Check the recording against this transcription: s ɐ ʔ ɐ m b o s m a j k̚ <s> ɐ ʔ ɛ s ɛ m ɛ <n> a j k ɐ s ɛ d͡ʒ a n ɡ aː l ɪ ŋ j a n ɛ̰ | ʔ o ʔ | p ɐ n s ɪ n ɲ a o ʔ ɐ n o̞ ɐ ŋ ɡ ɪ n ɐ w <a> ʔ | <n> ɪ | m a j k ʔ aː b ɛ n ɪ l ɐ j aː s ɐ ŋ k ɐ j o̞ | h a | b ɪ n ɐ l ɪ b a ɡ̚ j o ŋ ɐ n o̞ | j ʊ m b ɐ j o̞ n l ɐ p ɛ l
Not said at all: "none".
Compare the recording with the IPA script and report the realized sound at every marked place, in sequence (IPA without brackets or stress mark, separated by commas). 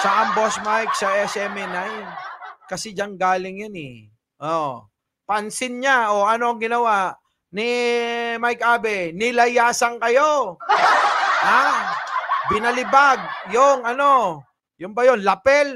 s, n, a, n